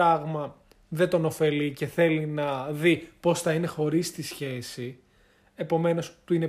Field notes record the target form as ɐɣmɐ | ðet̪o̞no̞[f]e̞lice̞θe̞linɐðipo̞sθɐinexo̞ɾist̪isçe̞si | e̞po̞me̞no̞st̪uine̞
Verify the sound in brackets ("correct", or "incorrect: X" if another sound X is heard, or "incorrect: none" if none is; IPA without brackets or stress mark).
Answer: correct